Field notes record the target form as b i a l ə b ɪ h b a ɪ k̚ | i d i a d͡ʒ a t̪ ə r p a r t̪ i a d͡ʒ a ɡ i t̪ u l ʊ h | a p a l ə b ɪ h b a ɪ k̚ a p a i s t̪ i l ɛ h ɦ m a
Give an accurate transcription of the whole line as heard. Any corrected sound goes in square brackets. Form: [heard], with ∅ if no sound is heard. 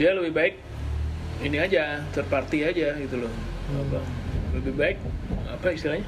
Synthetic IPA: [d] i a l ə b ɪ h b a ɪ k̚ | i [n] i a d͡ʒ a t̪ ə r p a r t̪ i a d͡ʒ a ɡ i t̪ u l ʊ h | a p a l ə b ɪ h b a ɪ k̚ a p a i s t̪ i l [a] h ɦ [ɲ] a